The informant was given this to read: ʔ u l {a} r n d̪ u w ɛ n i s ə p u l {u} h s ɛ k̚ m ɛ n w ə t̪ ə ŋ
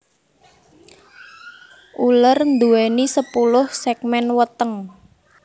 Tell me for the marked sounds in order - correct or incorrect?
incorrect, incorrect

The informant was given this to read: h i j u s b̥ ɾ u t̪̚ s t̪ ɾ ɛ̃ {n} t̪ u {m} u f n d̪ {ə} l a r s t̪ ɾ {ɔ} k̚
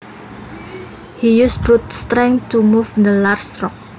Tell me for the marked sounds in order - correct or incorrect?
incorrect, correct, correct, correct

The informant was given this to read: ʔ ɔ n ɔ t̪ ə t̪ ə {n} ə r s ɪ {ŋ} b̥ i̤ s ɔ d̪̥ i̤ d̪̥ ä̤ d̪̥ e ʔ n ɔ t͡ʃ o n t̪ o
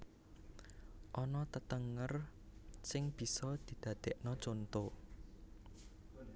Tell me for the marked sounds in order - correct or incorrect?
incorrect, correct

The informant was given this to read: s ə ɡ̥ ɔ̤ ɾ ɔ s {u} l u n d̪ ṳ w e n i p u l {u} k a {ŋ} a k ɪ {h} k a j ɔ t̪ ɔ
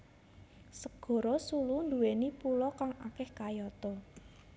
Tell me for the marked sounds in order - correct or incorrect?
correct, incorrect, correct, correct

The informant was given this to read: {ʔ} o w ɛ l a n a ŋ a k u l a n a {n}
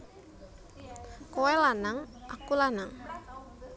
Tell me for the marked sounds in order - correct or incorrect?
incorrect, incorrect

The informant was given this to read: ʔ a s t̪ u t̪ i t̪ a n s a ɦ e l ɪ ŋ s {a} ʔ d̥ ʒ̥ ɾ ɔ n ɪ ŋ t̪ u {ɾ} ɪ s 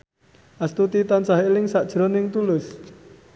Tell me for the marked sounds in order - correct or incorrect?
correct, incorrect

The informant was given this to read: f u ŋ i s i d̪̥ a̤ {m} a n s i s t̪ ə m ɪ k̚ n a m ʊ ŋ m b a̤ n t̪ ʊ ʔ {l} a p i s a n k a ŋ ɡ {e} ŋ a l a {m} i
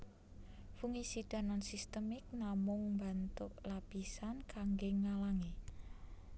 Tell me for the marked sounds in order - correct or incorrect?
incorrect, correct, correct, incorrect

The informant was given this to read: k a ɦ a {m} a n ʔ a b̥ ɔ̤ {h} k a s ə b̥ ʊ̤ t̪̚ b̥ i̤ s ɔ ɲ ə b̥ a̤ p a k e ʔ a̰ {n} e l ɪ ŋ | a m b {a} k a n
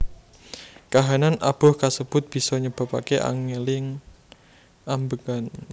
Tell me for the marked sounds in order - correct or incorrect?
incorrect, correct, incorrect, incorrect

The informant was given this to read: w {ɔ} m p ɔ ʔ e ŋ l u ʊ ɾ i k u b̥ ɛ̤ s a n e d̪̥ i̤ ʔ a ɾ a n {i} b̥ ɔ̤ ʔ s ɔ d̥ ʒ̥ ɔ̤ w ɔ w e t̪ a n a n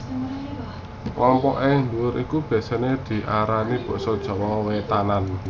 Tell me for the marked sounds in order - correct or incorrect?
correct, correct

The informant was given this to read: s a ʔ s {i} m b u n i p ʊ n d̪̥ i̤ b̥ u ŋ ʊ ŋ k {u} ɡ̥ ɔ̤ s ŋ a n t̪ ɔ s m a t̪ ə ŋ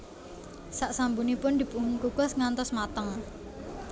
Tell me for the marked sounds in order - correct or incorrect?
incorrect, correct

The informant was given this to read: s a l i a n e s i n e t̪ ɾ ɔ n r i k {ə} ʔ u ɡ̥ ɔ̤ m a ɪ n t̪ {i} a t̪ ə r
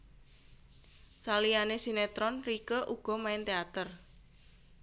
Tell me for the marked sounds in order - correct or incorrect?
correct, incorrect

